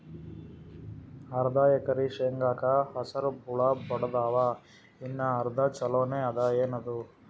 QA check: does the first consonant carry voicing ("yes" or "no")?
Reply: yes